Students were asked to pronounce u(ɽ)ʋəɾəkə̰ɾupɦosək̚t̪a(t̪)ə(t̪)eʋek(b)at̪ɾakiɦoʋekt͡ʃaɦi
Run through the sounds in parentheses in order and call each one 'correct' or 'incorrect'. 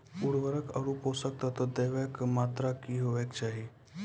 correct, correct, incorrect: d̪, incorrect: m

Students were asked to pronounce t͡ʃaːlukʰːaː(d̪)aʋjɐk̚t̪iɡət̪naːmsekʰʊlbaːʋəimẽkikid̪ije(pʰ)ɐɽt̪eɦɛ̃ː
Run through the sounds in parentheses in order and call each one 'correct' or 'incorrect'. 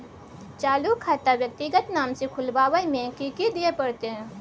incorrect: t̪, incorrect: p

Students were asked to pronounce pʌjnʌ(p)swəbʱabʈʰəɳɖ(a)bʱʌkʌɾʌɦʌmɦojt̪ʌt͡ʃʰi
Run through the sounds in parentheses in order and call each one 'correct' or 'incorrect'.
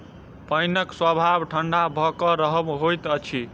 incorrect: k, correct

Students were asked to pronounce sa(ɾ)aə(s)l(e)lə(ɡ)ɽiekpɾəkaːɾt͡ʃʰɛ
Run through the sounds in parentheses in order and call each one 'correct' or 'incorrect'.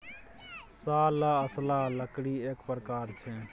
incorrect: l, correct, incorrect: a, incorrect: k

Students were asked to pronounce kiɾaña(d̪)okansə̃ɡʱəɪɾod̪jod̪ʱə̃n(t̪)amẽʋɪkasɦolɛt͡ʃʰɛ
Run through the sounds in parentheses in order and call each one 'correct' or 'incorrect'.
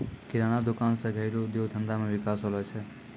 correct, incorrect: d̪

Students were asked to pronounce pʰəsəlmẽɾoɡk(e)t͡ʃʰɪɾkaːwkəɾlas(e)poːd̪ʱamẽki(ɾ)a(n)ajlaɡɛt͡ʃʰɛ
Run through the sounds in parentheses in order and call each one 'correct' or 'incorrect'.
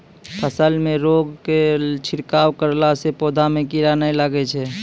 correct, correct, correct, correct

